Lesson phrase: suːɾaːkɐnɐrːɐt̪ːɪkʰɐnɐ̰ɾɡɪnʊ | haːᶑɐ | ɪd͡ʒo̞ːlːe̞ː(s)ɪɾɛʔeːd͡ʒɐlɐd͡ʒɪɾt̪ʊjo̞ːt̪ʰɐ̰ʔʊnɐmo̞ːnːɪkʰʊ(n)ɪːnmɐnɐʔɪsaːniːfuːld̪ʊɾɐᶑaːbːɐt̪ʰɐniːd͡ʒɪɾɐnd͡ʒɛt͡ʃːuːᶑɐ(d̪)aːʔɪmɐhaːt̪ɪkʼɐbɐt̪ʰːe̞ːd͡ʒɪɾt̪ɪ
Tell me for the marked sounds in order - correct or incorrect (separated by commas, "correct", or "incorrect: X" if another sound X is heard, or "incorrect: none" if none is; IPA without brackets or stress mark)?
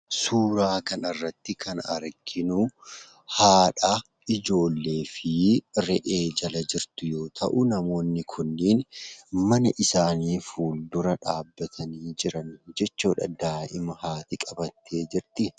incorrect: f, incorrect: nː, correct